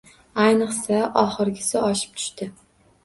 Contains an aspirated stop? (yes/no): yes